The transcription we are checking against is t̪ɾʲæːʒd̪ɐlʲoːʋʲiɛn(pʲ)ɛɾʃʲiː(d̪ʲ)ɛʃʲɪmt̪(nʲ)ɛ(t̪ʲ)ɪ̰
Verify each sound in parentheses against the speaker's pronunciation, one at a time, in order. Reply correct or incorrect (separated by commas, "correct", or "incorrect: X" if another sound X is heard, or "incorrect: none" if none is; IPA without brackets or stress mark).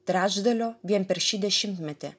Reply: correct, correct, incorrect: mʲ, correct